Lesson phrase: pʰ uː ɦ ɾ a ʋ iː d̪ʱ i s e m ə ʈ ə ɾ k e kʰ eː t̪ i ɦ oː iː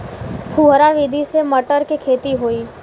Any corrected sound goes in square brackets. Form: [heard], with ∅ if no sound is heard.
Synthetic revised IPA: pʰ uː ɦ ɾ a ʋ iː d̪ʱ i s e m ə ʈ ə ɾ k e kʰ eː t̪ i ɦ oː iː